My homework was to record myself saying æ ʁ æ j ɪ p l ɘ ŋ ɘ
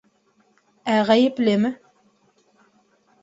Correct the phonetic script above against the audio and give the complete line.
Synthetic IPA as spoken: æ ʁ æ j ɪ p l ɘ m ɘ